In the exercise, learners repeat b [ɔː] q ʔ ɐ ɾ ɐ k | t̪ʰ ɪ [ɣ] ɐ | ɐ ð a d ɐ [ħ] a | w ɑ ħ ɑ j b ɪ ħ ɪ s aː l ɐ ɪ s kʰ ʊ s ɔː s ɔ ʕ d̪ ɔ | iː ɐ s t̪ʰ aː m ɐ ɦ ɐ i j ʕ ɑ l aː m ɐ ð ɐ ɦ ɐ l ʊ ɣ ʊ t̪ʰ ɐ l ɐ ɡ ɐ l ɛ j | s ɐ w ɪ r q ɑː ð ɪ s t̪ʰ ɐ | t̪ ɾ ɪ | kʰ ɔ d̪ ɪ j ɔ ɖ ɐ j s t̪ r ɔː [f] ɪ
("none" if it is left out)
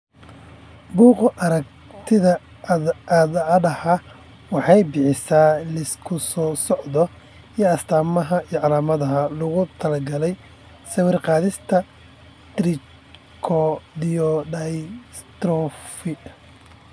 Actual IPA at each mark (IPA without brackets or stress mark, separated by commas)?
uː, ð, h, f